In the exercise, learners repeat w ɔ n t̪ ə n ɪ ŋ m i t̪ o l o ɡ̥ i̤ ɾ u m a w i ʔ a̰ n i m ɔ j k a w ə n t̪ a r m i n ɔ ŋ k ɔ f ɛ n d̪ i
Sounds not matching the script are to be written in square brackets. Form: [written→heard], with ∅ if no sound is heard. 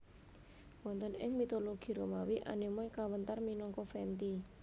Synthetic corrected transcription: w ɔ n t̪ ə n ɪ ŋ m i t̪ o l o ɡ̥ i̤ ɾ [u→o] m a w i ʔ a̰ n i m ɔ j k a w ə n t̪ a r m i n ɔ ŋ k ɔ f ɛ n [d̪→t̪] i